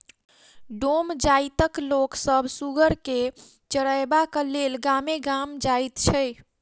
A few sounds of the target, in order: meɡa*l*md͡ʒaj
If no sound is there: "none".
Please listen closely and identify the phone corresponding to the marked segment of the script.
none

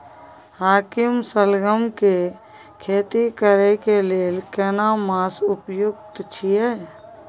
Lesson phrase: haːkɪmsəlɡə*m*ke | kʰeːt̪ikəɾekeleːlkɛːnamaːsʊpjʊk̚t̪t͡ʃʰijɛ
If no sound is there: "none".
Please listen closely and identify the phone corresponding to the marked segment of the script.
m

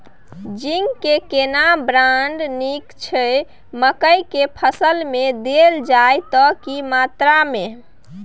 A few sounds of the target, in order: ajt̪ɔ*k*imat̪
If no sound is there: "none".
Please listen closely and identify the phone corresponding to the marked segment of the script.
k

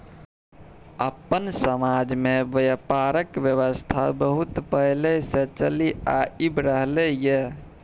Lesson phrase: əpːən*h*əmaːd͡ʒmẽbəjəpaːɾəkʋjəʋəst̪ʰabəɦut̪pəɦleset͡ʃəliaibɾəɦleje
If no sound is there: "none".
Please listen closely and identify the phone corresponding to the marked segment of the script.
s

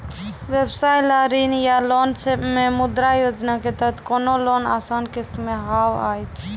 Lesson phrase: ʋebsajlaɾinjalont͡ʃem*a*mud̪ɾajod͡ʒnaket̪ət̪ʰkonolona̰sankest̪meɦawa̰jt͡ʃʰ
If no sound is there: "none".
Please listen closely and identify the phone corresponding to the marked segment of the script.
e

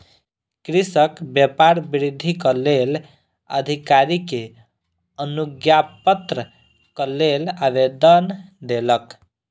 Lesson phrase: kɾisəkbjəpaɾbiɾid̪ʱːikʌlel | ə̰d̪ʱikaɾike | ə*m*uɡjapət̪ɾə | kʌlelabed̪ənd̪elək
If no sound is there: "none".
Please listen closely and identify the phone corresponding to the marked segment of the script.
n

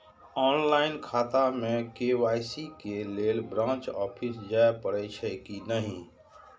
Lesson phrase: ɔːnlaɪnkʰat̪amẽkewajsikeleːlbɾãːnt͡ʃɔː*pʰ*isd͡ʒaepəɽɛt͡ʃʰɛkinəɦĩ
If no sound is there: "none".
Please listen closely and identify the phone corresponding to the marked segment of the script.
pʰ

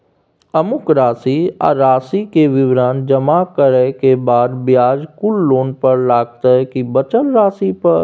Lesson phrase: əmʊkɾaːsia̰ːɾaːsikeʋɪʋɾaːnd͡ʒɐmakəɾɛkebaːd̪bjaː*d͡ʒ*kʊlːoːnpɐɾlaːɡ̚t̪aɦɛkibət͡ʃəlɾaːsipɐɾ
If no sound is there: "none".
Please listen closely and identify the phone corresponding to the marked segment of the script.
d͡ʒ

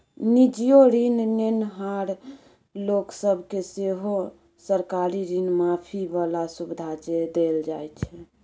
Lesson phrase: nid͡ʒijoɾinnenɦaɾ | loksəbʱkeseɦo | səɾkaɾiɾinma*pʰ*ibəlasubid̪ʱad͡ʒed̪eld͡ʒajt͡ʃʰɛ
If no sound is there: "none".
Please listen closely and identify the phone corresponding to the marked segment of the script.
pʰ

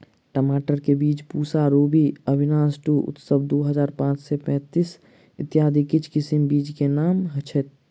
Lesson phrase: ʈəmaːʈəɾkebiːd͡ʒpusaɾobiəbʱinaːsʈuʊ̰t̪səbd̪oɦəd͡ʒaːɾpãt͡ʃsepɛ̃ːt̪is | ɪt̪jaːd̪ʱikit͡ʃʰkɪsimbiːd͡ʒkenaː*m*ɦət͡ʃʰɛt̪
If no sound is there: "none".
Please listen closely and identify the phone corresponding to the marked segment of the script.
m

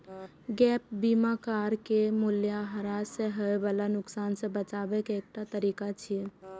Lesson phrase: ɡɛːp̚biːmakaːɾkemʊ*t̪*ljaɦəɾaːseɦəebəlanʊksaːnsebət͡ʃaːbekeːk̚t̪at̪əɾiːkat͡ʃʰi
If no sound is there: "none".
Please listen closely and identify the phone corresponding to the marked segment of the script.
none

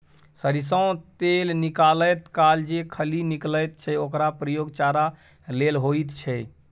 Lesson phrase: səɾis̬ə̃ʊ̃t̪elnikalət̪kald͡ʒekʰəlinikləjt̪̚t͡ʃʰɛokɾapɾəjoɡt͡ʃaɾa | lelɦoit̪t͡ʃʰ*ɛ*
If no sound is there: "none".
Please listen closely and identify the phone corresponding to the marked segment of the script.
ɛ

